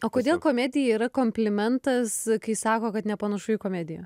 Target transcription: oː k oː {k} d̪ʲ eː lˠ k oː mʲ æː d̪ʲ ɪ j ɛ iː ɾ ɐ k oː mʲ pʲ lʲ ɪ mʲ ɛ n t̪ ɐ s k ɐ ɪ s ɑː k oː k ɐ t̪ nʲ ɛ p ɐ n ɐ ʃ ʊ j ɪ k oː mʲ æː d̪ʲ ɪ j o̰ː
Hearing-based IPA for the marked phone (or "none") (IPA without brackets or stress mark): none